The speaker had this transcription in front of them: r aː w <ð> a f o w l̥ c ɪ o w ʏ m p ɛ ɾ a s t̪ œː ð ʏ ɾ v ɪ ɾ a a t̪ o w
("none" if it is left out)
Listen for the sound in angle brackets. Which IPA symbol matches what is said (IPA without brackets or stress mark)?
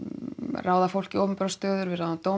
ð